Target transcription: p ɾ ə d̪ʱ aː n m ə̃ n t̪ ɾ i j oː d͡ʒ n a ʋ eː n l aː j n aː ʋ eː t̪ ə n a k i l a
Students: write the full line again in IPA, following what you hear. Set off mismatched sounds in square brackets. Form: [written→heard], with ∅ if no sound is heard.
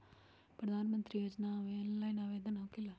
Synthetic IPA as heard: p ɾ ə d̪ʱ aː n m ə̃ n t̪ ɾ i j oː d͡ʒ n a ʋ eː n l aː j n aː ʋ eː [t̪→d̪] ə n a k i l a